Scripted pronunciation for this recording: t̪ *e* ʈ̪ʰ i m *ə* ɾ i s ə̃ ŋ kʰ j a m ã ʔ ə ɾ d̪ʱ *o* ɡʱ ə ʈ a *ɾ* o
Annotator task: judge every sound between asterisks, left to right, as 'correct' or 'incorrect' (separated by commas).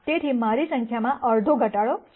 correct, incorrect, correct, incorrect